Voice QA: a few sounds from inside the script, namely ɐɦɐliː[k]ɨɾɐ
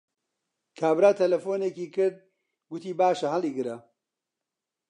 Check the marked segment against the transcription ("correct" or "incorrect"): incorrect